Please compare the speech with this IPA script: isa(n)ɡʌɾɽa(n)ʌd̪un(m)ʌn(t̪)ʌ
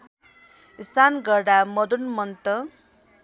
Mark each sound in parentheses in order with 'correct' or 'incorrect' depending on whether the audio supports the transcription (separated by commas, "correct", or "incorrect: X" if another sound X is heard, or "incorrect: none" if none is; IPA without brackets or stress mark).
correct, incorrect: m, correct, correct